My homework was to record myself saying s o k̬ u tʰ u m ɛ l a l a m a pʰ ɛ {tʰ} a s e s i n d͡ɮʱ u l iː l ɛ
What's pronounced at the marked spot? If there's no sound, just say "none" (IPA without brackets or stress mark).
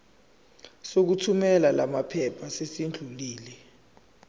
pʰ